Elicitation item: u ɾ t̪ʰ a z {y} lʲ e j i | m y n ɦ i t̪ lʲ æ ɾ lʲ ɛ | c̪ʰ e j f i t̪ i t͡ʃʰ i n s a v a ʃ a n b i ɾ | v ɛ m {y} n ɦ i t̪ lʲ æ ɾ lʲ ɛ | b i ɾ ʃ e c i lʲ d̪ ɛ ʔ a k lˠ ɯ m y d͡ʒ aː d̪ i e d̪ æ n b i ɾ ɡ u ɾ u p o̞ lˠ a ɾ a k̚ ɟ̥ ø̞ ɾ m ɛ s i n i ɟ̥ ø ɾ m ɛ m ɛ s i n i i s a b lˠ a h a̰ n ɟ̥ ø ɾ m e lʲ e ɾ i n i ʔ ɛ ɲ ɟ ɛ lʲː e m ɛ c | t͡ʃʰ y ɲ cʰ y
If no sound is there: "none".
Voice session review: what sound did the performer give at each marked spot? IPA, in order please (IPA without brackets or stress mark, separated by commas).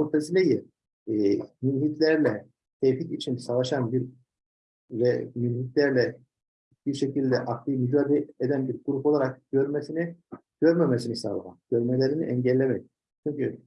i, y